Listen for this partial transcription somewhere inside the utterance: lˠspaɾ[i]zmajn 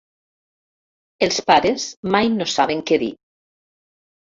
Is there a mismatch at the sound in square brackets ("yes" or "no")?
yes